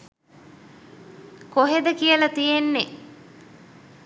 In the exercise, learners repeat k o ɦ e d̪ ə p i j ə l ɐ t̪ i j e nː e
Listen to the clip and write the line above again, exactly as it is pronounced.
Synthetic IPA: k o ɦ e d̪ ə k i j ə l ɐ t̪ i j e nː e